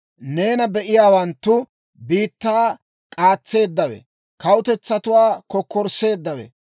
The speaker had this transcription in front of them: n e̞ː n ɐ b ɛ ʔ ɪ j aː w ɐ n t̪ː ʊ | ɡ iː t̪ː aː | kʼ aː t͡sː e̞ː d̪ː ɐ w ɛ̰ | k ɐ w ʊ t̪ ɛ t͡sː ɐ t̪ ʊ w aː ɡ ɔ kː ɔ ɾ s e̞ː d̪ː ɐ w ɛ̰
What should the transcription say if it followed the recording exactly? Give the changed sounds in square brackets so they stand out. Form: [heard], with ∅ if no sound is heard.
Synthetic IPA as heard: n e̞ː n ɐ b ɛ ʔ ɪ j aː w ɐ n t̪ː ʊ | [b] iː t̪ː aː | kʼ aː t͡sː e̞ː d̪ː ɐ w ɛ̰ | k ɐ w ʊ t̪ ɛ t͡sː ɐ t̪ ʊ w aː [k] ɔ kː ɔ ɾ s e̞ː d̪ː ɐ w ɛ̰